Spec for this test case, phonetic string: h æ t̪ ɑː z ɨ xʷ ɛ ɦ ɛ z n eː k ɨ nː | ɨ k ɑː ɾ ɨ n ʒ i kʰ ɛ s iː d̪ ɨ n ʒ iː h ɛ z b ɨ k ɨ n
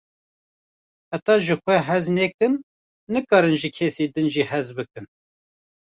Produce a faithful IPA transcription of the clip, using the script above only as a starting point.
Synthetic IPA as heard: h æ t̪ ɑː ʒ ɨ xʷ ɛ ɦ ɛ z n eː k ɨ nː | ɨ k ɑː ɾ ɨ n ʒ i kʰ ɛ s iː d̪ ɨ n ʒ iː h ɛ z b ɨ k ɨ n